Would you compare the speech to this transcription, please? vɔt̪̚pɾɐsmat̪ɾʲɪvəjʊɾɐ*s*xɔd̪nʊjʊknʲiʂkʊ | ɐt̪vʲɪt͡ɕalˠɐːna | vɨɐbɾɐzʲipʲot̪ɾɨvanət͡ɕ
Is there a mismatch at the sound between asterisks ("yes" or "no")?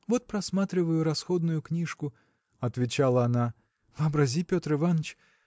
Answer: no